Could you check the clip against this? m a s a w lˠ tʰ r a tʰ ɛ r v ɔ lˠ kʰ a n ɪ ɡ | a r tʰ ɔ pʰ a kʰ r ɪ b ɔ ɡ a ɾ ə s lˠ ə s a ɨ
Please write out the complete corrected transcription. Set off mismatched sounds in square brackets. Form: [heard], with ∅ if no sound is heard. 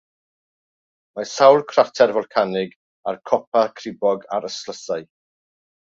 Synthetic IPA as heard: m a s a w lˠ [kʰ] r a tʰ ɛ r v ɔ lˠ kʰ a n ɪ ɡ | a r [kʰ] ɔ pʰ a kʰ r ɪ b ɔ ɡ a ɾ ə s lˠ ə s a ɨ